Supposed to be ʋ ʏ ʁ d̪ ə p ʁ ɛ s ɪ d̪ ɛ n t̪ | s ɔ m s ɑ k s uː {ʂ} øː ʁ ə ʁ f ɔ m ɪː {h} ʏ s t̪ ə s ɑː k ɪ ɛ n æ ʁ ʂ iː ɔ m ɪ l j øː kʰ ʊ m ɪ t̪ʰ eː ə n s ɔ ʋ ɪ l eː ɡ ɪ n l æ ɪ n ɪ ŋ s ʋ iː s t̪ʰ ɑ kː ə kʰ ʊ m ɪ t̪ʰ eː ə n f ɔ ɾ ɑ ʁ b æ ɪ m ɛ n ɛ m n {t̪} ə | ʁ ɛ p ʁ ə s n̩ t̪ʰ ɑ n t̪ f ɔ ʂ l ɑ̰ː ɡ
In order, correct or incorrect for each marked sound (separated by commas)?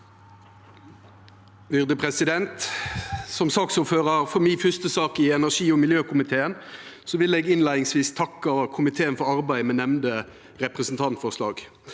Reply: incorrect, incorrect, incorrect